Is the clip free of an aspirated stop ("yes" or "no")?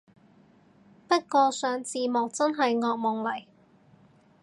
yes